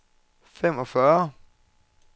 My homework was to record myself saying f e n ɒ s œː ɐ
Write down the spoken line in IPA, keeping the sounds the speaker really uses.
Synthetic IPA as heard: f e m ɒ f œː ɐ